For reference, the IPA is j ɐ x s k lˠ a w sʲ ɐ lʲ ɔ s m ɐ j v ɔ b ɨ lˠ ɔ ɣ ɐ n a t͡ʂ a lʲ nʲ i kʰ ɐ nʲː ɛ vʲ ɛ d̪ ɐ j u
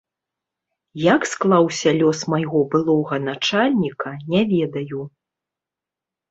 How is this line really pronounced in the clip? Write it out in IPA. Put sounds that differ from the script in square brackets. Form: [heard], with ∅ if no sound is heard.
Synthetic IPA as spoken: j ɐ [k] s k lˠ a w sʲ ɐ lʲ ɔ s m [a] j [ɣ] ɔ b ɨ lˠ ɔ ɣ ɐ n a t͡ʂ a lʲ nʲ i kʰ ɐ [nʲ] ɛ vʲ ɛ d̪ ɐ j u